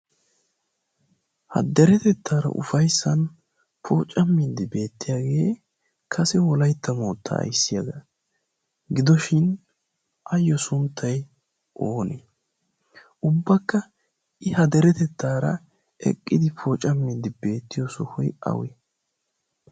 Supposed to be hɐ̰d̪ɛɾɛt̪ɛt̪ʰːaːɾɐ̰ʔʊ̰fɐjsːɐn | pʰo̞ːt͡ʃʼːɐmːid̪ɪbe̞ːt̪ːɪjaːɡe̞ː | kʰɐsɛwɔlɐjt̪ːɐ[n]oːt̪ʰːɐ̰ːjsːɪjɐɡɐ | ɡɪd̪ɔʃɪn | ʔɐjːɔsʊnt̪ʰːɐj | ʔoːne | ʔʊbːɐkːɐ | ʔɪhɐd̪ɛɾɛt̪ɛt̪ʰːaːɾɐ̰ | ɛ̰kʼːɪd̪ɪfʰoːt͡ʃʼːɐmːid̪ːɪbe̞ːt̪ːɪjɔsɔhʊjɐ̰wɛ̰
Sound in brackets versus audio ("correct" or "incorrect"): incorrect